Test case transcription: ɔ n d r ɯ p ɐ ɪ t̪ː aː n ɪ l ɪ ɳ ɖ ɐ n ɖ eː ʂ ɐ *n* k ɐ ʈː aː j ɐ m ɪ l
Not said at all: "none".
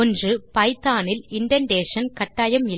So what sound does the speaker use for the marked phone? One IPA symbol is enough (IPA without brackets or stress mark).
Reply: n